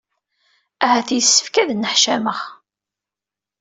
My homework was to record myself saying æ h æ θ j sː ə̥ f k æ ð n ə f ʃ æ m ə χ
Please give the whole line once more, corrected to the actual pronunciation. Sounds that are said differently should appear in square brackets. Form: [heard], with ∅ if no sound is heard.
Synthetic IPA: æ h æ θ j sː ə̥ f k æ ð n ə [ħ] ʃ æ m ə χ

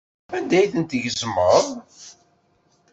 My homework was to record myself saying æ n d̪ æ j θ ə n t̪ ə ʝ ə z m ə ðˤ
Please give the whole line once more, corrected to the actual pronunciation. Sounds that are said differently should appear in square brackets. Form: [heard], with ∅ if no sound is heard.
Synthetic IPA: æ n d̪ æ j θ ə n t̪ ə ʝ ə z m ə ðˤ

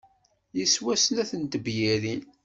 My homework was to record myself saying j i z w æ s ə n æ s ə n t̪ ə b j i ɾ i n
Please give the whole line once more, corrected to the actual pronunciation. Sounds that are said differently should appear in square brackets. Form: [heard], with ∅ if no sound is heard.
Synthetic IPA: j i [s] w æ s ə n æ [θ] ə n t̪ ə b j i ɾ i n

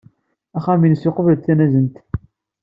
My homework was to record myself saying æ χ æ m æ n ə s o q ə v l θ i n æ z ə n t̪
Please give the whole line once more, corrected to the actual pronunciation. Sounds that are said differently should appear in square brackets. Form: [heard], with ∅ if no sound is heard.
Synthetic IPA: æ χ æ m [i] n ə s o q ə v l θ [æ] n æ z ə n t̪

